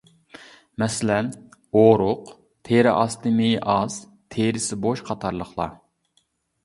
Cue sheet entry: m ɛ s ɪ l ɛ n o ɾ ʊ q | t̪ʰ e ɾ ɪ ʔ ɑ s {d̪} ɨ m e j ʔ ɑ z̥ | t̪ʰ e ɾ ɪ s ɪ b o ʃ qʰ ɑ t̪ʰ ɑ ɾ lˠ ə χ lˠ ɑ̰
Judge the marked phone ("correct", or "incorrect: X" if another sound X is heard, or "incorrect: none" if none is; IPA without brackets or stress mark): incorrect: t̪